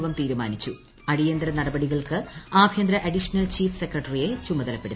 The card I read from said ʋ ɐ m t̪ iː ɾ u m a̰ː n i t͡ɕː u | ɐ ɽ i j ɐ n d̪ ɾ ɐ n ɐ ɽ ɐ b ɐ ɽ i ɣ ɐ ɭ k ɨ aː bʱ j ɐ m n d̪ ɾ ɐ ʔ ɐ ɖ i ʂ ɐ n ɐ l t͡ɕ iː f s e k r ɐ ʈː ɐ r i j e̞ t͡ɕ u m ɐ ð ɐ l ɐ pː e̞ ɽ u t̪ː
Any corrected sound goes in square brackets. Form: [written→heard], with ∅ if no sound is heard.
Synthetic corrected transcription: ʋ ɐ m t̪ iː ɾ u m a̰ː n i t͡ɕː u | ɐ ɽ i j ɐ n d̪ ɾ ɐ n ɐ ɽ ɐ b ɐ ɽ i ɣ ɐ ɭ k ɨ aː bʱ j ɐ [m→∅] n d̪ ɾ ɐ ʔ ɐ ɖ i ʂ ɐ n ɐ l t͡ɕ iː f s e k r ɐ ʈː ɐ r i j e̞ t͡ɕ u m ɐ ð ɐ l ɐ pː e̞ ɽ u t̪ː

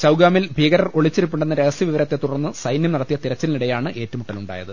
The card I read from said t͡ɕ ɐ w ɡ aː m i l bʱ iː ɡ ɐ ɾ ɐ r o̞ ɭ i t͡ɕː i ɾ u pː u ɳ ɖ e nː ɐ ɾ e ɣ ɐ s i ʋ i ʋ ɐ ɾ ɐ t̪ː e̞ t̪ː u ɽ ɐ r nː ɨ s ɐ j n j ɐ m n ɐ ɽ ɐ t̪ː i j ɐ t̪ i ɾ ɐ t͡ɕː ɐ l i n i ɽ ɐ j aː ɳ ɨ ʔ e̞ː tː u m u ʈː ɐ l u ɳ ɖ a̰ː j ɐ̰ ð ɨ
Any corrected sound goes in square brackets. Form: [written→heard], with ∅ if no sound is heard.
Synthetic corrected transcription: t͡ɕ ɐ w ɡ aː m i l bʱ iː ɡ ɐ ɾ ɐ r o̞ ɭ i t͡ɕː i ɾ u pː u ɳ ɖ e nː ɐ ɾ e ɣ ɐ s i ʋ i ʋ ɐ ɾ ɐ t̪ː e̞ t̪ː u ɽ ɐ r nː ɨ s ɐ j n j ɐ m n ɐ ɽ ɐ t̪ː i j ɐ t̪ i ɾ ɐ t͡ɕː ɐ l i n i ɽ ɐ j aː ɳ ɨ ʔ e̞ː tː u m u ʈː ɐ l u ɳ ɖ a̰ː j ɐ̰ ð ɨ

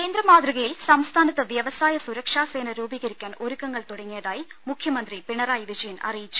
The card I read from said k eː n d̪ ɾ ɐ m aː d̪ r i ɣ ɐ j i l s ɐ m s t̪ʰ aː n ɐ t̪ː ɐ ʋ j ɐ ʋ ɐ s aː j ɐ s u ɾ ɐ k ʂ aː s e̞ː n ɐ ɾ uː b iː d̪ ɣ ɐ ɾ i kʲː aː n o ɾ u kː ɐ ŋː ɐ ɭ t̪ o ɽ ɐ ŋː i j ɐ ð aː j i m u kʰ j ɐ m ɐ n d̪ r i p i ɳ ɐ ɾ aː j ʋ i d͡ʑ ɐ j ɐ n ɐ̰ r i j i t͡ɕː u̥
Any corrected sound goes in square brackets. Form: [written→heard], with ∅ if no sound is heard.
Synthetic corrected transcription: k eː n d̪ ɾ ɐ m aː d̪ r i ɣ ɐ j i l s ɐ m s t̪ʰ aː n ɐ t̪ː ɐ ʋ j ɐ ʋ ɐ s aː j ɐ s u ɾ ɐ k ʂ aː s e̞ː n ɐ ɾ uː b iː [d̪→∅] ɣ ɐ ɾ i kʲː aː n o ɾ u kː ɐ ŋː ɐ ɭ t̪ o ɽ ɐ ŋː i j ɐ ð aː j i m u kʰ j ɐ m ɐ n d̪ r i p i ɳ ɐ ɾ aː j ʋ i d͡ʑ ɐ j ɐ n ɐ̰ r i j i t͡ɕː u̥

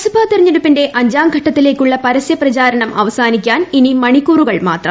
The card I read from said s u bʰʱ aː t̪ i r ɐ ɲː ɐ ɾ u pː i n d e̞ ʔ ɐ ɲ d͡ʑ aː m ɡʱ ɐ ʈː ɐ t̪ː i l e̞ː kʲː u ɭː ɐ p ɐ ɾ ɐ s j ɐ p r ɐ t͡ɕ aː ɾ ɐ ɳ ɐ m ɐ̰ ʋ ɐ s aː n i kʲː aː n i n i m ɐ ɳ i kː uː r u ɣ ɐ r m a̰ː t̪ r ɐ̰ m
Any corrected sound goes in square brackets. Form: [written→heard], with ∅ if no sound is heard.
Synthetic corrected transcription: s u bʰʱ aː t̪ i r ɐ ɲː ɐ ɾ u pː i n d e̞ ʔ ɐ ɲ d͡ʑ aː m ɡʱ ɐ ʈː ɐ t̪ː i l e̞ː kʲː u ɭː ɐ p ɐ ɾ ɐ s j ɐ p r ɐ t͡ɕ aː ɾ ɐ ɳ ɐ m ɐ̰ ʋ ɐ s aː n i kʲː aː n i n i m ɐ ɳ i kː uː r u ɣ ɐ [r→ɭ] m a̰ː t̪ r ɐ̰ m

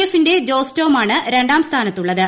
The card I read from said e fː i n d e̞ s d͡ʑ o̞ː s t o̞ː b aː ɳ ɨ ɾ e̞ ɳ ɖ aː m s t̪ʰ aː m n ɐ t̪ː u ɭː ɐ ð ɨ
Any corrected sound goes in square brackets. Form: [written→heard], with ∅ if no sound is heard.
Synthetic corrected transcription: e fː i n d e̞ [s→∅] d͡ʑ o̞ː s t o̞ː [b→m] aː ɳ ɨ ɾ e̞ ɳ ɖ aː m s t̪ʰ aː [m→∅] n ɐ t̪ː u ɭː ɐ ð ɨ

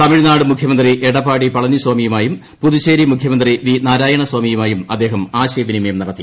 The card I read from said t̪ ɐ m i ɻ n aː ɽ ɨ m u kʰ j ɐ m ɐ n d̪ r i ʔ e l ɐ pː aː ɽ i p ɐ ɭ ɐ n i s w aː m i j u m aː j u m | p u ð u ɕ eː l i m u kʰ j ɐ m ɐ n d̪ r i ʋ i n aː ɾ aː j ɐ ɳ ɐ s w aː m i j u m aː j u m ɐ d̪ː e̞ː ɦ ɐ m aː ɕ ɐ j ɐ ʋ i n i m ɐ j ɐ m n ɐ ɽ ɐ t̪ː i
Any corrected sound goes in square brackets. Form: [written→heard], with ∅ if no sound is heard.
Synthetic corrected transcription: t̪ ɐ m i ɻ n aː ɽ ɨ m u kʰ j ɐ m ɐ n d̪ r i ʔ e [l→ɽ] ɐ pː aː ɽ i p ɐ ɭ ɐ n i s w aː m i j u m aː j u m | p u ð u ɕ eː [l→ɾ] i m u kʰ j ɐ m ɐ n d̪ r i ʋ i n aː ɾ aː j ɐ ɳ ɐ s w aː m i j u m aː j u m ɐ d̪ː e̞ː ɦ ɐ m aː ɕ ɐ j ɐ ʋ i n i m ɐ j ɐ m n ɐ ɽ ɐ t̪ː i

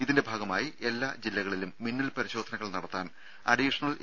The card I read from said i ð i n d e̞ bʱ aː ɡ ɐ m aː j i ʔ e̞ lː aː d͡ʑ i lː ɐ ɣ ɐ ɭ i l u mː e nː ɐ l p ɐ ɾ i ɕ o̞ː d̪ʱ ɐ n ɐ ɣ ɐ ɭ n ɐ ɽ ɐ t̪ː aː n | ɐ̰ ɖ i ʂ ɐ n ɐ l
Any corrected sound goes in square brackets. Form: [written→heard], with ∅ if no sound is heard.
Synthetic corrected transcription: i ð i n d e̞ bʱ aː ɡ ɐ m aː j i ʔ e̞ lː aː d͡ʑ i lː ɐ ɣ ɐ ɭ i l u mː [e→i] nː ɐ l p ɐ ɾ i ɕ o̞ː d̪ʱ ɐ n ɐ ɣ ɐ ɭ n ɐ ɽ ɐ t̪ː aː n | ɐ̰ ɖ i ʂ ɐ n ɐ l

